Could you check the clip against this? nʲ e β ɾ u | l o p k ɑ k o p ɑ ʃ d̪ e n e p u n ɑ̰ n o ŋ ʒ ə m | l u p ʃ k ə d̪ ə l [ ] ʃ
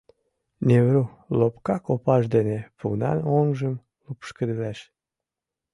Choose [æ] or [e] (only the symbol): æ